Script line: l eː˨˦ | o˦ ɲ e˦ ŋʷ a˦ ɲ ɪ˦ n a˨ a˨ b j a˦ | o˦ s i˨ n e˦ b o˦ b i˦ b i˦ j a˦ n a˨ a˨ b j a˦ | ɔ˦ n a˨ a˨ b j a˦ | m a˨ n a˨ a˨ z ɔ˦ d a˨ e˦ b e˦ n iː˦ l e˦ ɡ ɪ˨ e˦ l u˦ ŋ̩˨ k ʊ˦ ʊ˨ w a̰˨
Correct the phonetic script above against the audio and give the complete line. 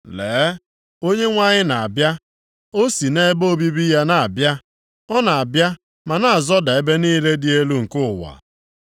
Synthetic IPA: l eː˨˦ | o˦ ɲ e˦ ŋʷ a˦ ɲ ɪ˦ n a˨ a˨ b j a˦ | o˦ s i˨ n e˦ b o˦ b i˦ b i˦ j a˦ n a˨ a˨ b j a˦ | ɔ˦ n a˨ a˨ b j a˦ | m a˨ n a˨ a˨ z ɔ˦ d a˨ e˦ b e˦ n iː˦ l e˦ d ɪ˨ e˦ l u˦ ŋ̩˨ k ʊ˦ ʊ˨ w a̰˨

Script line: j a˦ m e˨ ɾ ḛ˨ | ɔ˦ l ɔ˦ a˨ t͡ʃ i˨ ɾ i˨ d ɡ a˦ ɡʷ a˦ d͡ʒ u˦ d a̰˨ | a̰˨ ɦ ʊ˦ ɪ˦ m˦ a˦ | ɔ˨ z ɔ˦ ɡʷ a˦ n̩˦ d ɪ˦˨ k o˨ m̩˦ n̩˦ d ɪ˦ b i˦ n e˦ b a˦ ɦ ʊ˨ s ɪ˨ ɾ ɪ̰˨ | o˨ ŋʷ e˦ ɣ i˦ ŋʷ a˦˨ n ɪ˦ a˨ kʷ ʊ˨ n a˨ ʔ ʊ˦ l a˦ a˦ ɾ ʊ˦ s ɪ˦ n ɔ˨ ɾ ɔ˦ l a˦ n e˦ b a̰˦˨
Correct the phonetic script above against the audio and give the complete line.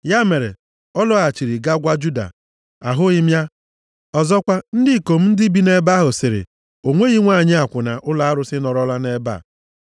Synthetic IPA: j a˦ m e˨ ɾ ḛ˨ | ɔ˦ l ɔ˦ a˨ t͡ʃ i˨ ɾ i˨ ɡ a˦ ɡʷ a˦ d͡ʒ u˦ d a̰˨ | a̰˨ ɦ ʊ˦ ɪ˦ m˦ a˦ | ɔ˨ z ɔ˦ kʷ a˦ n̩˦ d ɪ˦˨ k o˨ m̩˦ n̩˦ d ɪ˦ b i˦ n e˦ b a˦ ɦ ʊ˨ s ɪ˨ ɾ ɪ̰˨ | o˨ ŋʷ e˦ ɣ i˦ ŋʷ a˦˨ ɲ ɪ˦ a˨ kʷ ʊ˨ n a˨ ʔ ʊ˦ l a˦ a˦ ɾ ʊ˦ s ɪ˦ n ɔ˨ ɾ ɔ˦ l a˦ n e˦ b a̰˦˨

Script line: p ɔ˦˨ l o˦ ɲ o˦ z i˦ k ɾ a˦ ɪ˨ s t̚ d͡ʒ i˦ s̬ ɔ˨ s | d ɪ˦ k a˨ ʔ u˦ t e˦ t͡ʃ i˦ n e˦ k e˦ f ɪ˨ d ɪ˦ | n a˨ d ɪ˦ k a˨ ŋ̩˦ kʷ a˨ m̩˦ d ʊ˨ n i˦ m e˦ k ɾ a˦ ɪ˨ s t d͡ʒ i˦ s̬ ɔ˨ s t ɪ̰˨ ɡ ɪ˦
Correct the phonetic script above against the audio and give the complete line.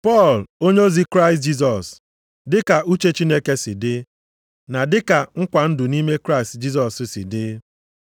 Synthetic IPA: p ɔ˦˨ l o˦ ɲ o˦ z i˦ k ɾ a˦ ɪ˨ s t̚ d͡ʒ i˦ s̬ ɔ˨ s | d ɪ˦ k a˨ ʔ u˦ t͡ʃ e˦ t͡ʃ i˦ n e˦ k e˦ s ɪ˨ d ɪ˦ | n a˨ d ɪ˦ k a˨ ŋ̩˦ kʷ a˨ n̩˦ d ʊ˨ n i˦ m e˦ k ɾ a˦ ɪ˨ s t d͡ʒ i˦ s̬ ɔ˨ s s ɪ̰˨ d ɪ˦

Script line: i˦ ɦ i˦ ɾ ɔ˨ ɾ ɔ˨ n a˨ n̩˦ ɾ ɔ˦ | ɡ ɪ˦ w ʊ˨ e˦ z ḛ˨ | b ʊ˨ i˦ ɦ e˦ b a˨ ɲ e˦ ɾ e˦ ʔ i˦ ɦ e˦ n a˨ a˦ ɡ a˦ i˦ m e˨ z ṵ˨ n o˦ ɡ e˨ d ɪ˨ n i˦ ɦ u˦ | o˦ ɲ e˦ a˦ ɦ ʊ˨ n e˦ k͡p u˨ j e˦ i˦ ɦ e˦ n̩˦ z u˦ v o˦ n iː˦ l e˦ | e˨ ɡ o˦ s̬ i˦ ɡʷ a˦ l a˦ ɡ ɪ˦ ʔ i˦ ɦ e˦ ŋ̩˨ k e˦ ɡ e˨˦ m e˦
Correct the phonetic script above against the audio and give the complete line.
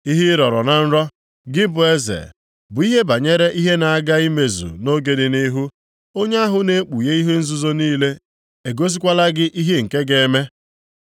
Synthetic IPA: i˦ ɦ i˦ ɾ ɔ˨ ɾ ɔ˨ n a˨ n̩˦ ɾ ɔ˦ | ɡ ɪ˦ b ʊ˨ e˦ z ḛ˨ | b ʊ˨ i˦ ɦ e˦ b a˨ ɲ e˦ ɾ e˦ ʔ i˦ ɦ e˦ n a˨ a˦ ɡ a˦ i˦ m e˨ z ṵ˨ n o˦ ɡ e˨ d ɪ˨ n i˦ ɦ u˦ | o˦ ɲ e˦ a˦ ɦ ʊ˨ n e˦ k͡p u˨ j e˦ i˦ ɦ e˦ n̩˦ z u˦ z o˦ n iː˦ l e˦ | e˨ ɡ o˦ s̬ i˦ kʷ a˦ l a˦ ɡ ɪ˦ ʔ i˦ ɦ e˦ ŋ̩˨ k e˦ ɡ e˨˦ m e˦

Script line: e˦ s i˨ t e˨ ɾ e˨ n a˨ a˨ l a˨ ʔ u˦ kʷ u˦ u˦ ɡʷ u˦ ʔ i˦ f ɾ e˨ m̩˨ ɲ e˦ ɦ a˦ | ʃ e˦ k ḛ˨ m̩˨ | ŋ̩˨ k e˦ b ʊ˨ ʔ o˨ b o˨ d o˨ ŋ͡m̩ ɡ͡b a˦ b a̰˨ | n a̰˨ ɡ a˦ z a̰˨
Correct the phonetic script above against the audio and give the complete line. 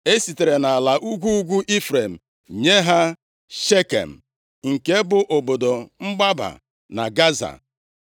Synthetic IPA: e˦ s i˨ t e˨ ɾ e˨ n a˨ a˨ l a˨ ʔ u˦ ɡʷ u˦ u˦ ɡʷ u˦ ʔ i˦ f ɾ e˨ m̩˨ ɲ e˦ ɦ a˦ | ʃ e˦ k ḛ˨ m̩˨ | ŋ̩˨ k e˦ b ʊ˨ ʔ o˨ b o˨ d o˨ ŋ͡m̩ ɡ͡b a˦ b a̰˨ | n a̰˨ ɡ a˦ z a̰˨

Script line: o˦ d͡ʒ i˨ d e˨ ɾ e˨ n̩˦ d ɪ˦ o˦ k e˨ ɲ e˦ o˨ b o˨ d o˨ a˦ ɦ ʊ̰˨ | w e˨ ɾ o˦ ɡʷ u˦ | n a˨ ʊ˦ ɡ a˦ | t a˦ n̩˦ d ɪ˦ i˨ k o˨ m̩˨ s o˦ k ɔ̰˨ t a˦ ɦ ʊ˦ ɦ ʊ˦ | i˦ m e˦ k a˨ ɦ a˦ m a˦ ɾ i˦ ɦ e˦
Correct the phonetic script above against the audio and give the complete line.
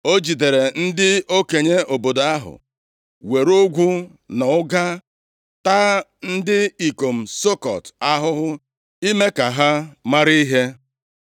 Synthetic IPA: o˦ d͡ʒ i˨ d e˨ ɾ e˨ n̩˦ d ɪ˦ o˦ k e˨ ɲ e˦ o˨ b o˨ d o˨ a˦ ɦ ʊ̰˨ | w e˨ ɾ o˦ ɡʷ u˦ | n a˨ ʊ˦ ɡ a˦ | t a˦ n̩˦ d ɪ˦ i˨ k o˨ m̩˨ s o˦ k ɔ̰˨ t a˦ ɦ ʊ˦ ɦ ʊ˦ | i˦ m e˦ k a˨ ɦ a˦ m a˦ ɾ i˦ ɦ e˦

